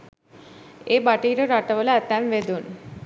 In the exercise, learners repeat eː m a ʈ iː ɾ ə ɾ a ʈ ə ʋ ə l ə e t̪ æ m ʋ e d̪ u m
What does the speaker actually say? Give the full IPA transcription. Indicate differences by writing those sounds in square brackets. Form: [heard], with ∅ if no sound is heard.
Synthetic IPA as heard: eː [b] a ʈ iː ɾ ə ɾ a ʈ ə ʋ ə l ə [æ] t̪ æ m ʋ e d̪ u [n]